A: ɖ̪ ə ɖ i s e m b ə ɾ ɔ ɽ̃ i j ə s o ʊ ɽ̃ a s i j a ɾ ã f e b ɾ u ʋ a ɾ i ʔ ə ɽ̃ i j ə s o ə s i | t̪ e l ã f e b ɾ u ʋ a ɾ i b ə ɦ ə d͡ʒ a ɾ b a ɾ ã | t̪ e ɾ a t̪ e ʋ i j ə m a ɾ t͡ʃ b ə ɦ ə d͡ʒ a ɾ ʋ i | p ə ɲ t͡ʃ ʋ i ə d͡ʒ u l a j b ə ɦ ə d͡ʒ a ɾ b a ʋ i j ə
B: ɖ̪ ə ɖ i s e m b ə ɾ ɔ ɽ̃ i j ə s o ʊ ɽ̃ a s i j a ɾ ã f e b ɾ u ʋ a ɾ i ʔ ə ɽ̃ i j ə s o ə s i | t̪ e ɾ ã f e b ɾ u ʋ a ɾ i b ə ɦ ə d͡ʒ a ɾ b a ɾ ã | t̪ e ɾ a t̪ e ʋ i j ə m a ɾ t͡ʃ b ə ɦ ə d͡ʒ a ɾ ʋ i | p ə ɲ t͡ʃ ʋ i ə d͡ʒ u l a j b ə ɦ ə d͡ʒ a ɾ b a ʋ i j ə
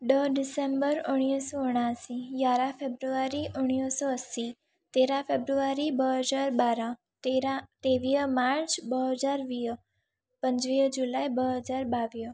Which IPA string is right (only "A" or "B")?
B